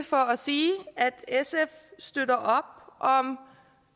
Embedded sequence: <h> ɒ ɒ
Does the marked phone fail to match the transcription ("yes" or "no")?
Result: yes